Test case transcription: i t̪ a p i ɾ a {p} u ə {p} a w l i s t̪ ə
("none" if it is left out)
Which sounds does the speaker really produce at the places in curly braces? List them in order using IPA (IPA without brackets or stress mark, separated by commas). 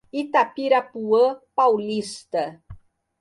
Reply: p, p